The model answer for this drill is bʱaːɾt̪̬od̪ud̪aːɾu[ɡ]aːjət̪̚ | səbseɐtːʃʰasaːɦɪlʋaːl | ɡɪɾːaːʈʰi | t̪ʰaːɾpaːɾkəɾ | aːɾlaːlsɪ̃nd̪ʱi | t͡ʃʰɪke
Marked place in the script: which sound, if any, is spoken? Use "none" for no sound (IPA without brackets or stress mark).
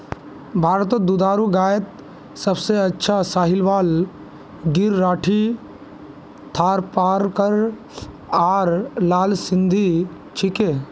ɡ